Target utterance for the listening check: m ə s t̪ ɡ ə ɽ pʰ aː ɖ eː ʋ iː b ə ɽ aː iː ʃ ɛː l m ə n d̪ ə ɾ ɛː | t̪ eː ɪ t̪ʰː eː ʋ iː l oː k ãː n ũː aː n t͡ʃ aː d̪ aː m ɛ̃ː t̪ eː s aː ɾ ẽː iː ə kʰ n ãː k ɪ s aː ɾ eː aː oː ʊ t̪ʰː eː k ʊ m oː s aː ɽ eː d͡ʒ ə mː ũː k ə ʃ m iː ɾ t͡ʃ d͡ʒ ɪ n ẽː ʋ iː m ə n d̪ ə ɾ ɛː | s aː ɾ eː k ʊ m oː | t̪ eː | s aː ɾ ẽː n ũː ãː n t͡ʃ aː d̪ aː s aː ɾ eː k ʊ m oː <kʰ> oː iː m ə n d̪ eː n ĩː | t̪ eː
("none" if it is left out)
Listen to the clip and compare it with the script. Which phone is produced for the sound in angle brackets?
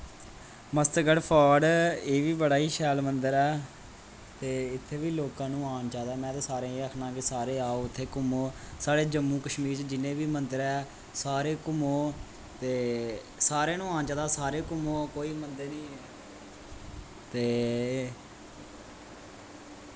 k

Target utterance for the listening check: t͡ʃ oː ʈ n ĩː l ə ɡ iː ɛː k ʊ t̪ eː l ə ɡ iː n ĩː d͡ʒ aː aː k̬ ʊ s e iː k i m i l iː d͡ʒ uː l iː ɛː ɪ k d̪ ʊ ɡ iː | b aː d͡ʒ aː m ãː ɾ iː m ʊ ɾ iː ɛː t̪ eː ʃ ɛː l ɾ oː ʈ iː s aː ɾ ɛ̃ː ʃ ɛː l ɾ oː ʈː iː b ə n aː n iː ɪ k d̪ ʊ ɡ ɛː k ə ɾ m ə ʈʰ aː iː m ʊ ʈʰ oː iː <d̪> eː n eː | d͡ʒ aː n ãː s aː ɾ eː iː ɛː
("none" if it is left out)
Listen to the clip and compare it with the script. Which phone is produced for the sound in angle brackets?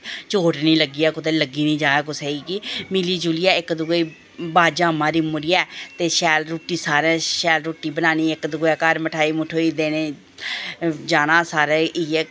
d̪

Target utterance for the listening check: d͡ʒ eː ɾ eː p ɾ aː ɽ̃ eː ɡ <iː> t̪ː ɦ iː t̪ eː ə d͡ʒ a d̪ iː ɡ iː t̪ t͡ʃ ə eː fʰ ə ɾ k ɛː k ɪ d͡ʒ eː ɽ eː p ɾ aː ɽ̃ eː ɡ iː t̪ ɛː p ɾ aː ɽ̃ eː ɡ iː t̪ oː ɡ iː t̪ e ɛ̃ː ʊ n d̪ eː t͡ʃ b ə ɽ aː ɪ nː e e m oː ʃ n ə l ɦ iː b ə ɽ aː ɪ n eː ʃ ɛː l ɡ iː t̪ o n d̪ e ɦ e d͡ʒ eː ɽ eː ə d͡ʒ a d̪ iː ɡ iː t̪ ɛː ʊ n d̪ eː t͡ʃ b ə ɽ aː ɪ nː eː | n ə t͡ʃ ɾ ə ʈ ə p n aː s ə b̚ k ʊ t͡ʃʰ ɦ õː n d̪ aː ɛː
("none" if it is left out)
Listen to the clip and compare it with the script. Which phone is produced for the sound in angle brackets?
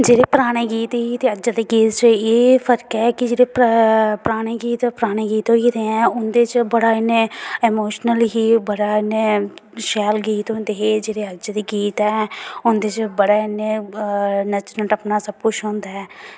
iː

